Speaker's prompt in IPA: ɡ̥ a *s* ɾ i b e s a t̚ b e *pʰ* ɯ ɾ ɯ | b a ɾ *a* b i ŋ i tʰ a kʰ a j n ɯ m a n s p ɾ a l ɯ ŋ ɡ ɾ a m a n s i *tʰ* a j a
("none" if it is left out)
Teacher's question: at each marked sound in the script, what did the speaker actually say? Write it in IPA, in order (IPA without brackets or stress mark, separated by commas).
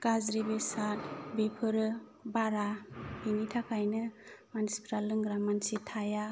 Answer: z, pʰ, a, tʰ